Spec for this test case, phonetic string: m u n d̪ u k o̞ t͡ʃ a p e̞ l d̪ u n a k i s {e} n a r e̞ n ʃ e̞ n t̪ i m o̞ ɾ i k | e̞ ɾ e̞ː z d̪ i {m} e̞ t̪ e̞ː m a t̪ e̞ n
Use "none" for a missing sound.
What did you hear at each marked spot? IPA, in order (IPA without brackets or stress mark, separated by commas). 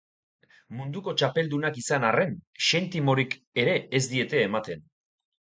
a, none